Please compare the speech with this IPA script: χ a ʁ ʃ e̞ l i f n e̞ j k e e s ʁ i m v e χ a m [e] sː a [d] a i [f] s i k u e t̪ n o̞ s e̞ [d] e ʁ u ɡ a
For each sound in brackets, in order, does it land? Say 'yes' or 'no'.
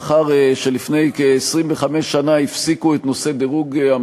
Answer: yes, no, yes, yes

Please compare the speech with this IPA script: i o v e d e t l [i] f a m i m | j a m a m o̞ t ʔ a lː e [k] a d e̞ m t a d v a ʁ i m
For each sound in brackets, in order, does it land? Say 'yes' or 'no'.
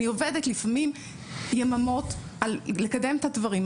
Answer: yes, yes

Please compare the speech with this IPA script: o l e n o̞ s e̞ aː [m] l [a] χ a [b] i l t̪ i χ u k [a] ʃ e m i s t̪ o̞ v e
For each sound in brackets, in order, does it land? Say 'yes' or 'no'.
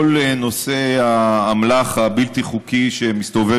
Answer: yes, yes, yes, no

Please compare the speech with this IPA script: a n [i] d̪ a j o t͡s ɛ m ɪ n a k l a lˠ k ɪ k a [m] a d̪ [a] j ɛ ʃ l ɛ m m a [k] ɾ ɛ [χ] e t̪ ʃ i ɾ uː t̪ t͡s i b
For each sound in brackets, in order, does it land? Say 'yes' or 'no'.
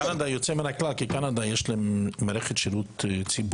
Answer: no, no, yes, no, yes

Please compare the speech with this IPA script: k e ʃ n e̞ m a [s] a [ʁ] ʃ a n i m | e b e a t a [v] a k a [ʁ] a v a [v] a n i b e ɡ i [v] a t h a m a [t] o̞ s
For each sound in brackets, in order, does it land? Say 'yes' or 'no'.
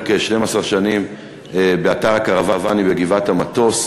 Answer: yes, yes, no, yes, yes, yes, yes

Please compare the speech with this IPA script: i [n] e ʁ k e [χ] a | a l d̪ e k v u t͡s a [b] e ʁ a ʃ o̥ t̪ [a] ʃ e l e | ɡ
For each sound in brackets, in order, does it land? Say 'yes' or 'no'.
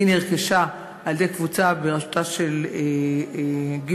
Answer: yes, no, yes, yes

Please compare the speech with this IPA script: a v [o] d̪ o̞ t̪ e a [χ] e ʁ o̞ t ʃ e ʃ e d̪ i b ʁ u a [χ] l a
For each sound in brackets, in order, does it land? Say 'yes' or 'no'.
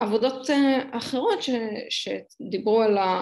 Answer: yes, yes, no

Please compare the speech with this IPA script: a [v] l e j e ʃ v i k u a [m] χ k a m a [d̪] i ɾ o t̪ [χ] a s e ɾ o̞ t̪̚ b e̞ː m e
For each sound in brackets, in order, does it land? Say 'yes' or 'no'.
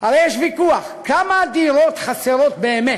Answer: no, no, yes, yes

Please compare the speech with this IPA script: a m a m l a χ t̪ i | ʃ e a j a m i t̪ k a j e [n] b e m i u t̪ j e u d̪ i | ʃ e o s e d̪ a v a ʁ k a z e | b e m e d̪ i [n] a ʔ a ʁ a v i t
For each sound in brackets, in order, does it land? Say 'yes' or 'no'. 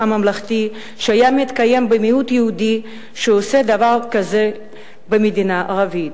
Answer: no, yes

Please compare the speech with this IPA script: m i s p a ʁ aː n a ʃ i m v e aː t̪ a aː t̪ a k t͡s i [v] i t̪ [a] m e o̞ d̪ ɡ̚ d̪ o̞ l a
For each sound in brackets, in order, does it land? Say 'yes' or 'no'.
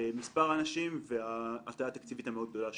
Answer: yes, yes

